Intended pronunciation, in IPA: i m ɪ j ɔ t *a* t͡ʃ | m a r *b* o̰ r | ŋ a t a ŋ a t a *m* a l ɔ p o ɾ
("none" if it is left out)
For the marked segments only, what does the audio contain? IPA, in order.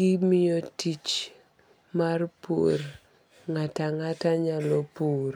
i, p, ɲ

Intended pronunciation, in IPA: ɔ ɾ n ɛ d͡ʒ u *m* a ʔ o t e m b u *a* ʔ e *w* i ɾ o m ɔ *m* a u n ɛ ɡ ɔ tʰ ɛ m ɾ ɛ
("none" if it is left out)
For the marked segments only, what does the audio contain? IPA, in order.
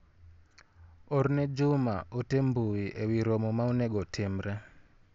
m, i, w, m

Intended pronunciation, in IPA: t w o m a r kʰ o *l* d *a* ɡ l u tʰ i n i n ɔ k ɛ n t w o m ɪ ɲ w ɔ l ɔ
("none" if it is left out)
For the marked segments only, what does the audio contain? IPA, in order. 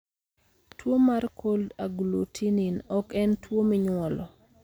l, a

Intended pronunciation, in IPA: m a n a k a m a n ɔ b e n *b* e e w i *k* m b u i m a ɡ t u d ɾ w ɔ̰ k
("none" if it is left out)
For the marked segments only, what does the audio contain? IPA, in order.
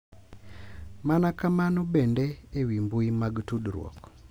d, none

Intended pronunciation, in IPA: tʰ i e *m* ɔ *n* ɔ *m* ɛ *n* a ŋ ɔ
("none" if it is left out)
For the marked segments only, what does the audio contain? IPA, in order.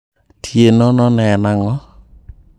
n, n, n, n

